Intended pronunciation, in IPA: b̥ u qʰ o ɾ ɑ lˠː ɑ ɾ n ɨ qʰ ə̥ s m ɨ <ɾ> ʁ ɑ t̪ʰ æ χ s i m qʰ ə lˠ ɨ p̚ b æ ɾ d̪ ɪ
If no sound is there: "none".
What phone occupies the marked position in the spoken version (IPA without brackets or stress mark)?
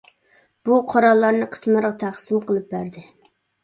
ɾ